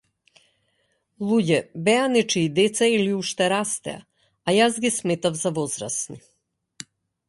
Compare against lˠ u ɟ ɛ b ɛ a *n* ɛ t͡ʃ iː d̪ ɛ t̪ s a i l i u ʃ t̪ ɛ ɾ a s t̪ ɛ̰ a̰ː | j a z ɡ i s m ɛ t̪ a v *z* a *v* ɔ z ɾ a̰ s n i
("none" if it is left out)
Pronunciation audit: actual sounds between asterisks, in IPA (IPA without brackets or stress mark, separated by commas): n, z, v